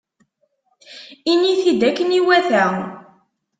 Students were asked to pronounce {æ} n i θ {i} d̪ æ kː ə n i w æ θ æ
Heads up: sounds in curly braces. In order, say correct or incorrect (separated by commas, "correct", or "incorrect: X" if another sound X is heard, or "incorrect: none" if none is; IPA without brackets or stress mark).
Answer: incorrect: i, correct